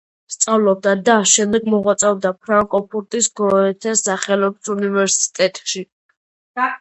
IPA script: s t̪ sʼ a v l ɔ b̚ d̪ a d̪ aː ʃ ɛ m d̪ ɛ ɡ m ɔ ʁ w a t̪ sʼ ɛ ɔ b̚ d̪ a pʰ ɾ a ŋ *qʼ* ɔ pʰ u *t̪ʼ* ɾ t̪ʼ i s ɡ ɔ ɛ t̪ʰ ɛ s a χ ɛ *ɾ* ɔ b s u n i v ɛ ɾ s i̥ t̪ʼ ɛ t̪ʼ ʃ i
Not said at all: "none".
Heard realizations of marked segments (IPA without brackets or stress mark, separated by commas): kʼ, none, l